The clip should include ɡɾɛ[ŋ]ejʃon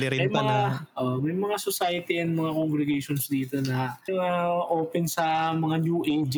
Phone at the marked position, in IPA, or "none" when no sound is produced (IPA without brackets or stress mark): ɡ